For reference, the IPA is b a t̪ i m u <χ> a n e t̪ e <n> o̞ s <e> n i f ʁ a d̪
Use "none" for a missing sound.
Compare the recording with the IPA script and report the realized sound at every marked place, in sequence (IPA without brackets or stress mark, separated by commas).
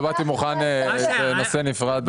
χ, n, e